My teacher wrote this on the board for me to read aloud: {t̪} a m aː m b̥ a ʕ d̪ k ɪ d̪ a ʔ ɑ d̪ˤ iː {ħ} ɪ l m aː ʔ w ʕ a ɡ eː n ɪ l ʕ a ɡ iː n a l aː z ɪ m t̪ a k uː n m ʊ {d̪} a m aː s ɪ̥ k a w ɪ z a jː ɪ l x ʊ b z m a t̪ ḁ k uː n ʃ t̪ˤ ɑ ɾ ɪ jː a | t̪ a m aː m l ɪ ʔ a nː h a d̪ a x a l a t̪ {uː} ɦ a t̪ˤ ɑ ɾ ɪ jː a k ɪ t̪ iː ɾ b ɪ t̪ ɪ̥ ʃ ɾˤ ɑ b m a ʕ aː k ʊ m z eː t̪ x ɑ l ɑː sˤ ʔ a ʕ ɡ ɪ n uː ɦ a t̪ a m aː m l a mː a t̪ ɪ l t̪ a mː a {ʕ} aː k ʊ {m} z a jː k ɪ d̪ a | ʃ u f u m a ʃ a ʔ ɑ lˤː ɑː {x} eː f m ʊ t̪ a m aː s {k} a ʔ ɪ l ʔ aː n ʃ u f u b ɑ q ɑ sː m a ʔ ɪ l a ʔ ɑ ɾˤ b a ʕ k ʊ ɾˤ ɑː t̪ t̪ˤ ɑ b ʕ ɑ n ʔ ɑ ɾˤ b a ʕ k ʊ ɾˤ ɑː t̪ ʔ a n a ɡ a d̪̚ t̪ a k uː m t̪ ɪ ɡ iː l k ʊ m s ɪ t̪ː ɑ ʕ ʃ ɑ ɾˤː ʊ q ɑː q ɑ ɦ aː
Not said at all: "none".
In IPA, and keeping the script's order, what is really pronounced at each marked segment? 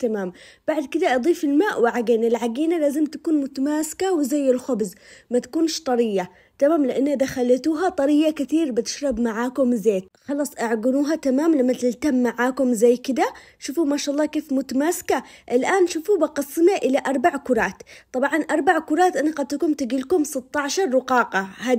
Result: t̪, f, t̪, uː, ʕ, m, k, k

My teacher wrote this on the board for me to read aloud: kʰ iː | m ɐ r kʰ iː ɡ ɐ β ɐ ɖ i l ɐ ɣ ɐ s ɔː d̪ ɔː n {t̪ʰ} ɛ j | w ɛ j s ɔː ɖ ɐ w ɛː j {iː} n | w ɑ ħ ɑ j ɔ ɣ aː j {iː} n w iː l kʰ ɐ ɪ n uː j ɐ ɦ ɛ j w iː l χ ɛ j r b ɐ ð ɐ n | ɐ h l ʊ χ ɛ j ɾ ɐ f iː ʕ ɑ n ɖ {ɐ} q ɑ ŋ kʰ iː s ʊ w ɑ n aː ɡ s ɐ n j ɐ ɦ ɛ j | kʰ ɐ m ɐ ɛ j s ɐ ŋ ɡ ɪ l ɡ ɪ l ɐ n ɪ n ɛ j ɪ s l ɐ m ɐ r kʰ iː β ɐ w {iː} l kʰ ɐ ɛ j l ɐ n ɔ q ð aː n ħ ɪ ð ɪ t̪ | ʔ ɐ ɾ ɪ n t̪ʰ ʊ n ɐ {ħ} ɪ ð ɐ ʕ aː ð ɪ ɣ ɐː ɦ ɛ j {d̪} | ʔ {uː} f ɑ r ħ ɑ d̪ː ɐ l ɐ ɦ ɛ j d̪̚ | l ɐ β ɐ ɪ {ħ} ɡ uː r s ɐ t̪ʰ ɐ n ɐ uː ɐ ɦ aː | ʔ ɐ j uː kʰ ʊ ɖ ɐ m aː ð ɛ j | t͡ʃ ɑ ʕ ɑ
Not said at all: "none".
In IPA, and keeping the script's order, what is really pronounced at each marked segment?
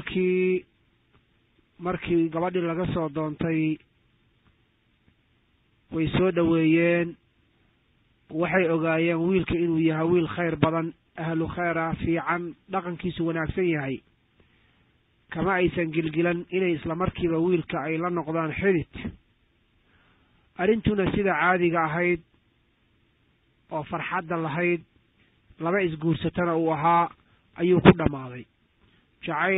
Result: t̪ʰ, ɛː, ɛː, ɑ, iː, s, d̪, ɔː, s

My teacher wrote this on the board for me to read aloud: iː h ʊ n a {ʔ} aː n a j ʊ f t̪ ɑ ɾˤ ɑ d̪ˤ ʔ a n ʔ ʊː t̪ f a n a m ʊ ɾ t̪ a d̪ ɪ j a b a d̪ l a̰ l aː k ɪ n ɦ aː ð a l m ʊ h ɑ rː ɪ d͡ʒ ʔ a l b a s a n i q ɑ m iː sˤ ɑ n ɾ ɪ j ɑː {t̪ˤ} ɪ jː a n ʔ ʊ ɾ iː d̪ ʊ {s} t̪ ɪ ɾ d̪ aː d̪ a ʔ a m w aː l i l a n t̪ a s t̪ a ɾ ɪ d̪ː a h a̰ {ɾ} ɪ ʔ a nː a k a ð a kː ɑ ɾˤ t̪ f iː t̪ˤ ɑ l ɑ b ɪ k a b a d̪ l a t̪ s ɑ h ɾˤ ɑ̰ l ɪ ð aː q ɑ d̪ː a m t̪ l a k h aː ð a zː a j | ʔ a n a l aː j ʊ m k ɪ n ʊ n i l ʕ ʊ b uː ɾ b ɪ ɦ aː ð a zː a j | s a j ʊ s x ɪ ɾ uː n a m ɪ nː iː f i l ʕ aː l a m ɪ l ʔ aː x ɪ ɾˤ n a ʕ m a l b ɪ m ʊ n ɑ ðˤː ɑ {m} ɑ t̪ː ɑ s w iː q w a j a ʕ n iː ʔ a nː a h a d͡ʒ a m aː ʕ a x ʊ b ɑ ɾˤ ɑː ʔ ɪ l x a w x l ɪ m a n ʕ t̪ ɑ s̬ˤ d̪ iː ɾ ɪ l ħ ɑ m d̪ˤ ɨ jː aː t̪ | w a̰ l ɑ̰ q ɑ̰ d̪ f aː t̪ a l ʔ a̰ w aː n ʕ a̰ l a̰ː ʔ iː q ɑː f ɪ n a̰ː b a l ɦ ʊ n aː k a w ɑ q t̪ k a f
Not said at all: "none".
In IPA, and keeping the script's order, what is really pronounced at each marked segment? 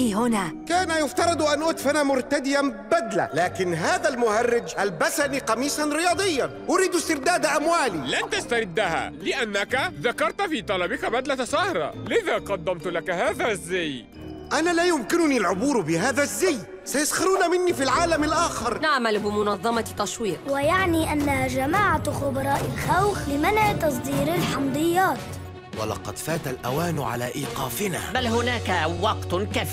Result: k, d̪ˤ, s, l, m

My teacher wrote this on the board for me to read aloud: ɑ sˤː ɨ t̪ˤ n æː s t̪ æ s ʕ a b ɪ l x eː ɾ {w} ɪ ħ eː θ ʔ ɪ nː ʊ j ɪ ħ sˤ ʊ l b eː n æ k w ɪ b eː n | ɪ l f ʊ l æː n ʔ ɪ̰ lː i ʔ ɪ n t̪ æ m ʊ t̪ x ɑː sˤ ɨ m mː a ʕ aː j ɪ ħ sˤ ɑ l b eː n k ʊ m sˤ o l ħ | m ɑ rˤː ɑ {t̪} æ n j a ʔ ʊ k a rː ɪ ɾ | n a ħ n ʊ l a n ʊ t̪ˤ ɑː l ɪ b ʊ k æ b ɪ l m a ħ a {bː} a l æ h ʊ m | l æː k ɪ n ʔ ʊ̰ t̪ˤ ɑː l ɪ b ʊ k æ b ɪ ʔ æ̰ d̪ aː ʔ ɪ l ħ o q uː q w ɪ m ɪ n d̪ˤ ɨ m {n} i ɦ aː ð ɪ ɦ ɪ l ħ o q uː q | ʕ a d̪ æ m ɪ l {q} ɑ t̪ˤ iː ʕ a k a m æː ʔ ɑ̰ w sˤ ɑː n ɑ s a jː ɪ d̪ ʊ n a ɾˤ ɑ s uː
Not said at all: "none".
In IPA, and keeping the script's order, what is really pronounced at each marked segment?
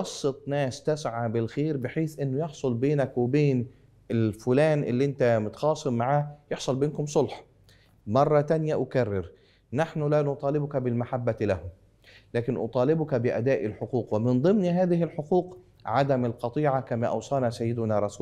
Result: b, t̪, bː, n, q

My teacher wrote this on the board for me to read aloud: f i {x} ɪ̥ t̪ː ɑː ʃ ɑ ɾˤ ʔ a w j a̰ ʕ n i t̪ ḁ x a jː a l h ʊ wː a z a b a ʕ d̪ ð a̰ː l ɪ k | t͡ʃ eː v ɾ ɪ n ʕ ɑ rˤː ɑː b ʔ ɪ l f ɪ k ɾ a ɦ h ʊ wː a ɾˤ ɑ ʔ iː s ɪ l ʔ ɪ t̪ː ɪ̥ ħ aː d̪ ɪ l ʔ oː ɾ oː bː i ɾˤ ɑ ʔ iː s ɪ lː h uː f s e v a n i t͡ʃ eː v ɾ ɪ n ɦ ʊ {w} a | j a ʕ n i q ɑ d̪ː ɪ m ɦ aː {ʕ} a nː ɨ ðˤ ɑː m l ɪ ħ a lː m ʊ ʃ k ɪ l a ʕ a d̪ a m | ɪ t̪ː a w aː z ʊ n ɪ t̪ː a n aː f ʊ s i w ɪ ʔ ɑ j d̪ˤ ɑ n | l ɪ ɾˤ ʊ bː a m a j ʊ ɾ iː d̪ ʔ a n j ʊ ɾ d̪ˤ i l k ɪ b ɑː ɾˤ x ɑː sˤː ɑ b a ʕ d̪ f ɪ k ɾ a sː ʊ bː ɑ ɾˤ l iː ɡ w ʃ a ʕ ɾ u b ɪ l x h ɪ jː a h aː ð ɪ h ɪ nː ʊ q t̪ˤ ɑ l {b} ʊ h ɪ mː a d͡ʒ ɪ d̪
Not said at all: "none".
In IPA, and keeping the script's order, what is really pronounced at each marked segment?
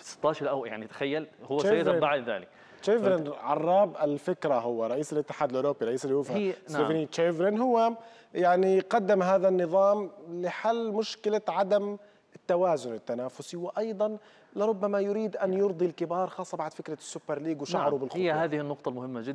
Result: s, wː, ð, m

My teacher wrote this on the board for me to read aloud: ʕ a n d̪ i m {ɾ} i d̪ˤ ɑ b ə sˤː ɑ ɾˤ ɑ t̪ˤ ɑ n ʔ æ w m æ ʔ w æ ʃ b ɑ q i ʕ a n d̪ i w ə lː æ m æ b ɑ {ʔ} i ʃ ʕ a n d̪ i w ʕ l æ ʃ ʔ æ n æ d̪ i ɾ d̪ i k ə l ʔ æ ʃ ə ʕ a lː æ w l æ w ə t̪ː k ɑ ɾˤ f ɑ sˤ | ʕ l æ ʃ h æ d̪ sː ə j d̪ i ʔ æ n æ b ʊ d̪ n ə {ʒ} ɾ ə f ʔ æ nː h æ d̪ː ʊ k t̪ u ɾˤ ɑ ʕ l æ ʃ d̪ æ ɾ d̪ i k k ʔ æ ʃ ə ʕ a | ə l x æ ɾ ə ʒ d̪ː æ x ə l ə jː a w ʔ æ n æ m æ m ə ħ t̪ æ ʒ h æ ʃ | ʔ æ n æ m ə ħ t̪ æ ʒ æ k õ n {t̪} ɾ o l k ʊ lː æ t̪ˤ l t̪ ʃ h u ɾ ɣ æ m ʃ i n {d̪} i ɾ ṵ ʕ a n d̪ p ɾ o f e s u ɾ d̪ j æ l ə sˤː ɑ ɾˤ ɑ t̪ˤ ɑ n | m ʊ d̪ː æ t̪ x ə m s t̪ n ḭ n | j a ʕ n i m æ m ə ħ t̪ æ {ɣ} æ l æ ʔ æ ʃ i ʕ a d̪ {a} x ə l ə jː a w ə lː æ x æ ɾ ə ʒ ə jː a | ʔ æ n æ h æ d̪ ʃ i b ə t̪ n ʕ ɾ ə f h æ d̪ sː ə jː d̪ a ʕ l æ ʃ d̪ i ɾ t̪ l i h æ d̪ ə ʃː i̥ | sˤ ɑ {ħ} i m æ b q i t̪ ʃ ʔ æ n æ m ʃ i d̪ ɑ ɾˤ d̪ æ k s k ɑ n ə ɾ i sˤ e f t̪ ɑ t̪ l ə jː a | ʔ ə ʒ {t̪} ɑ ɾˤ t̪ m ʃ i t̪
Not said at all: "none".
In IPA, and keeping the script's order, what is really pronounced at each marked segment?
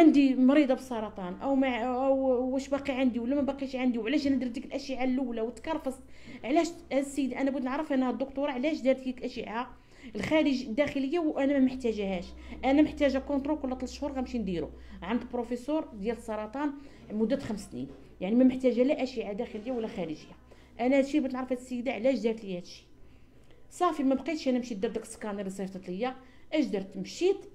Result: ɾ, q, ʕ, t̪, d̪, ʒ, æ, f, d̪

